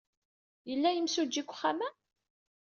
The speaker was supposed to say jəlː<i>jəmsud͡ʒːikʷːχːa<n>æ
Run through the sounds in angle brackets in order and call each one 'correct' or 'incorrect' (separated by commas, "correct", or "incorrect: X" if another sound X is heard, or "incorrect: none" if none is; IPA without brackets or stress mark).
incorrect: æ, incorrect: m